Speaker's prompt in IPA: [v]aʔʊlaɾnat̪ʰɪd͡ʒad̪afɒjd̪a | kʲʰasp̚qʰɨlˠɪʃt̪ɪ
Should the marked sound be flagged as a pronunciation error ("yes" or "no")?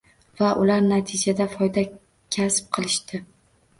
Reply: no